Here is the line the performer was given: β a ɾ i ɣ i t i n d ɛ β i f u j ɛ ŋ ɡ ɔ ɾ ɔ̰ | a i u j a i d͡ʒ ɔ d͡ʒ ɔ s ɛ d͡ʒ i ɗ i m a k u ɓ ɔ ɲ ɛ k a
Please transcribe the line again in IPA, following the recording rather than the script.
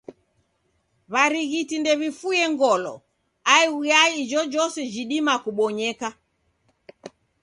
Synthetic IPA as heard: β a ɾ i ɣ i t i n d ɛ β i f u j ɛ ŋ ɡ ɔ l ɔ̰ | a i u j a i d͡ʒ ɔ d͡ʒ ɔ s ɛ d͡ʒ i ɗ i m a k u ɓ ɔ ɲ ɛ k a